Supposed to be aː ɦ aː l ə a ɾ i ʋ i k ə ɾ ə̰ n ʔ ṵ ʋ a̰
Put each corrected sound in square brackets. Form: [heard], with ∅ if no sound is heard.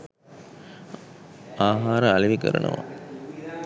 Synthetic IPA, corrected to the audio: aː ɦ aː [ɾ] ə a [l] i ʋ i k ə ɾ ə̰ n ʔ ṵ ʋ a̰